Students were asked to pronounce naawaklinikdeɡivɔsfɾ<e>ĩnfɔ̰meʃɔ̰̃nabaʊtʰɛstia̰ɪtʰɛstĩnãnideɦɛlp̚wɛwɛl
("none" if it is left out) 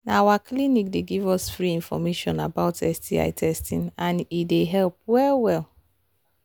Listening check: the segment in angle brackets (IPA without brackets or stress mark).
i